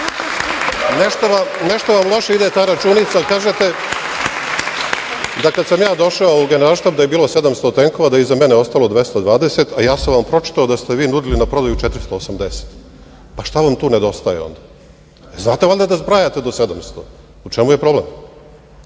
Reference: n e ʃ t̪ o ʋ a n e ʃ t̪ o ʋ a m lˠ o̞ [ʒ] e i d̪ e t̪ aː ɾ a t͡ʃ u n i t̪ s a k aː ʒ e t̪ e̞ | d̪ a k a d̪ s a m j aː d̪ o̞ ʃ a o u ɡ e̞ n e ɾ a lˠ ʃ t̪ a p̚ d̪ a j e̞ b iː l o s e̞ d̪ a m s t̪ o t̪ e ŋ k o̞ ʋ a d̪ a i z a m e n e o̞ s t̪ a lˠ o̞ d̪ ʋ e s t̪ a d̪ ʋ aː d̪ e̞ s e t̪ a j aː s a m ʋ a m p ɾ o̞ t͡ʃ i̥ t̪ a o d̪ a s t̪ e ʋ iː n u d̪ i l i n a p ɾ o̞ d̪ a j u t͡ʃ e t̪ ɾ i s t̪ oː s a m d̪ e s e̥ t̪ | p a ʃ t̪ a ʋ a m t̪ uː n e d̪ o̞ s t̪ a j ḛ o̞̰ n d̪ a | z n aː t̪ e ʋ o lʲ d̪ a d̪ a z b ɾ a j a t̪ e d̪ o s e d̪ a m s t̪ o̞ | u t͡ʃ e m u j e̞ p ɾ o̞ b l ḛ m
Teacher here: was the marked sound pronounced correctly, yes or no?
no